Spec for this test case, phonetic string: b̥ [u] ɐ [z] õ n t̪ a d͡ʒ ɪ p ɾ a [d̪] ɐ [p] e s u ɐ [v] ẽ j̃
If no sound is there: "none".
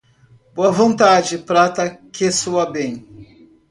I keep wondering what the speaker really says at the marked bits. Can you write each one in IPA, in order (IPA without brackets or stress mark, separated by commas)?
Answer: o, v, t̪, k, b